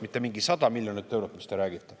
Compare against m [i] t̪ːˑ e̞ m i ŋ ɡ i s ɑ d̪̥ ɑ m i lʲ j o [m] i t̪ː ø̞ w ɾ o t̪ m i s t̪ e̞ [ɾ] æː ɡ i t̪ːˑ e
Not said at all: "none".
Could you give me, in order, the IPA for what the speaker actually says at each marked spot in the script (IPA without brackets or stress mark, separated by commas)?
i, n, ɾ